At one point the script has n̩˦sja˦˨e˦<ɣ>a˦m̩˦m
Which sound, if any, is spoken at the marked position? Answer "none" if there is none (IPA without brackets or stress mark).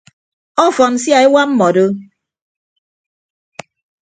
w